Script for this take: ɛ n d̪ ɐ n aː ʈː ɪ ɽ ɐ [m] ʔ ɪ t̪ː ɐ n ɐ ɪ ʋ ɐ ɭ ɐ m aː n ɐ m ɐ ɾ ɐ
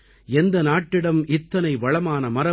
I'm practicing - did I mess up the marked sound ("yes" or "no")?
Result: no